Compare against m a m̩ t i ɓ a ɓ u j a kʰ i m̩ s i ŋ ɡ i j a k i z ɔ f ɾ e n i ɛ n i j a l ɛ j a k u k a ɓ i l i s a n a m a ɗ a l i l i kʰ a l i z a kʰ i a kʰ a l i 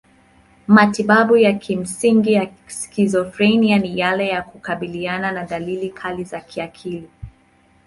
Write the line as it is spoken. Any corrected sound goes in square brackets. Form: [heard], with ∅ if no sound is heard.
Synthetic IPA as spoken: m a [∅] t i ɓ a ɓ u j a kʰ i m̩ s i ŋ ɡ i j a k i z ɔ f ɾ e n i [a] n i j a l ɛ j a k u k a ɓ i l i [∅] a n a [n] a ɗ a l i l i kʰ a l i z a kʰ i a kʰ [i] l i